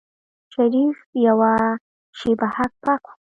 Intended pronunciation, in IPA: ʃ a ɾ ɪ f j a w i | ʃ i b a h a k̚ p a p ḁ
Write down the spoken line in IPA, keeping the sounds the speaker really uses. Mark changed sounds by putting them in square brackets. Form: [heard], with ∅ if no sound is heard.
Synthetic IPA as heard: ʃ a ɾ [i] f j a w [a] | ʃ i b a h a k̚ p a [k] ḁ